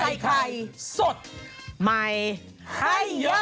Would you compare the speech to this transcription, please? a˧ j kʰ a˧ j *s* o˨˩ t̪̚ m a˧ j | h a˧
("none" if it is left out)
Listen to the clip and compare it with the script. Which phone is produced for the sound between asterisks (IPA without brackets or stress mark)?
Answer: s